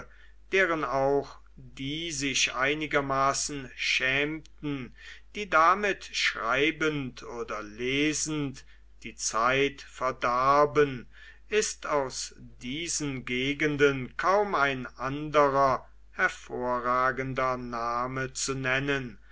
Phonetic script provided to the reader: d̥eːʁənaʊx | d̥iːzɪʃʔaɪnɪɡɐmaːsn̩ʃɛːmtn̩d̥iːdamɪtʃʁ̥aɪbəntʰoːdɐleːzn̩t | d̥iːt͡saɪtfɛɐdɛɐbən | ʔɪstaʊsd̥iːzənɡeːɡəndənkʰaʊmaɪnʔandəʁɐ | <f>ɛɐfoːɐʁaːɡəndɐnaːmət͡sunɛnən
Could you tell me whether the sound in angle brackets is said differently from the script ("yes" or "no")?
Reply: yes